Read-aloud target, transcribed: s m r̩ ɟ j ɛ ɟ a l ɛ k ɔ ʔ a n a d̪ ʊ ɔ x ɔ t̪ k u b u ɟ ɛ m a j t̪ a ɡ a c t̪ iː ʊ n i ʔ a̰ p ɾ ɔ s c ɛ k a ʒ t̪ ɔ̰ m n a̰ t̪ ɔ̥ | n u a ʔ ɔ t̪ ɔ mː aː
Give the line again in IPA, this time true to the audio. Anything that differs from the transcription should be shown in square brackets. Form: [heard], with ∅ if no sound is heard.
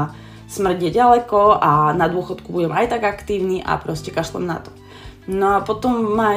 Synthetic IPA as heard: s m r̩ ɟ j ɛ ɟ a l ɛ k ɔ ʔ a n a d̪ ʊ ɔ x ɔ t̪ k u b u ɟ ɛ m a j t̪ a ɡ a [k] t̪ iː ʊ n i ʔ a̰ p ɾ ɔ s c ɛ k a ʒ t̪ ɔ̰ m n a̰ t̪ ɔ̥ | n [ɔ] a [p] ɔ t̪ ɔ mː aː